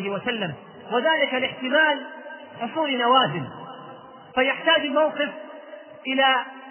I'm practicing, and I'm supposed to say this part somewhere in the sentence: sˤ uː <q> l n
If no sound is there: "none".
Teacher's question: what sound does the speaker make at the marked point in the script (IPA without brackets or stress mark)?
none